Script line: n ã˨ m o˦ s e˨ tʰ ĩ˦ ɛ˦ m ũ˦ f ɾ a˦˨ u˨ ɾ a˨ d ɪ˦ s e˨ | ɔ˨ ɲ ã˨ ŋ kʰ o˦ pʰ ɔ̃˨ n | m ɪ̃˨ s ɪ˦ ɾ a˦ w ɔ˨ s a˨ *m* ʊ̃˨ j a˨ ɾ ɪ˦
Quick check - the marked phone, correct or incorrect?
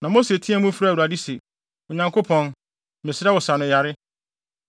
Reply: incorrect